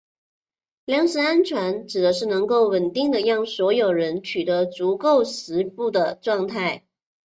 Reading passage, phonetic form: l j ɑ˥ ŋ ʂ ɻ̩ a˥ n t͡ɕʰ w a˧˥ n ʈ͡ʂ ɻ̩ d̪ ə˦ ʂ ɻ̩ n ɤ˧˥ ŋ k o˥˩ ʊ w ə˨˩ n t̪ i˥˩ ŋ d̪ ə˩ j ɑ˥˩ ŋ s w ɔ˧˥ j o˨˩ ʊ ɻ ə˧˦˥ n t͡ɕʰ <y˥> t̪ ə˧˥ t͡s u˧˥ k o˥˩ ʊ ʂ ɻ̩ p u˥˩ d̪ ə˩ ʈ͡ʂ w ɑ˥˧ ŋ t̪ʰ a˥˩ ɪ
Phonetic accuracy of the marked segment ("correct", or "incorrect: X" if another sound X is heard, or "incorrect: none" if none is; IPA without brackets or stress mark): incorrect: y˨˩